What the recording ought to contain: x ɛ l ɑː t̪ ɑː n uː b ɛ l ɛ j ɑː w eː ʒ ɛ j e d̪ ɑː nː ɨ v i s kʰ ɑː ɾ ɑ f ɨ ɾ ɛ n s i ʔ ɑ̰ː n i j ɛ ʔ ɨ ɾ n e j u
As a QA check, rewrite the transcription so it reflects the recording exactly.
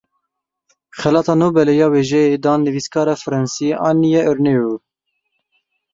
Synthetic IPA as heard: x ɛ l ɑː t̪ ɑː n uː b ɛ l ɛ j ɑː w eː ʒ ɛ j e d̪ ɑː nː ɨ v i s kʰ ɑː ɾ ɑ f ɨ ɾ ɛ n s i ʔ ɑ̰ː n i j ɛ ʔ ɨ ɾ n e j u